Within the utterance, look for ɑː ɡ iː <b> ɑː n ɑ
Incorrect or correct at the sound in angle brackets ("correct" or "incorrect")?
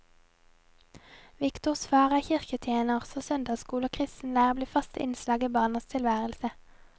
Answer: correct